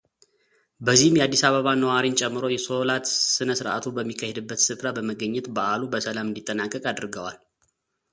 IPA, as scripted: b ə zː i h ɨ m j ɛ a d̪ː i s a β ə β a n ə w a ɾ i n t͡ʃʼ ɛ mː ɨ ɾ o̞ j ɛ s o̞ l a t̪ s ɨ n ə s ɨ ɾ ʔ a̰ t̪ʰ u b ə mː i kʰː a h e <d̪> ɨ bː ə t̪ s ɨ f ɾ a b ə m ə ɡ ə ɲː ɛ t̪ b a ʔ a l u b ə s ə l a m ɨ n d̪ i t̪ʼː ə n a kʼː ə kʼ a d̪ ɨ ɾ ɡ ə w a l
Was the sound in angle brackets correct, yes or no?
yes